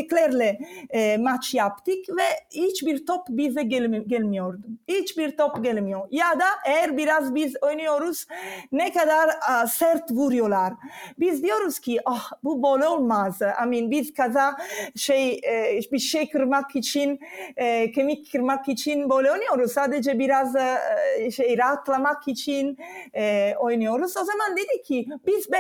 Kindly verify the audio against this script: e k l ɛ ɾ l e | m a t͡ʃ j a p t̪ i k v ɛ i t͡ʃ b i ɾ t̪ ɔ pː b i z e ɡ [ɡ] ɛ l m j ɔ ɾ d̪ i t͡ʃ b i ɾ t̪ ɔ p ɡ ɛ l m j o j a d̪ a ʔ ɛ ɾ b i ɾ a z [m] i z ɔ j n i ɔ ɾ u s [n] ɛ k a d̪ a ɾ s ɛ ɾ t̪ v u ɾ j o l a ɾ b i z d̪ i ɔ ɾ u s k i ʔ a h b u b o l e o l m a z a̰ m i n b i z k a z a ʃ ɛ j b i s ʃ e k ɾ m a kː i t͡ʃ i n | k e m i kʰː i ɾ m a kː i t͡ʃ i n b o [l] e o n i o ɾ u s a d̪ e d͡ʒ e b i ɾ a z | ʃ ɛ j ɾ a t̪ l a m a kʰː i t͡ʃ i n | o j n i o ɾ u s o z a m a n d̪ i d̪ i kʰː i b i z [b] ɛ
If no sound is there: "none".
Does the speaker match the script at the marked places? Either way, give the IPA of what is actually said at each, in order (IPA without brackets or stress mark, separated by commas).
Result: ɡ, b, n, l, b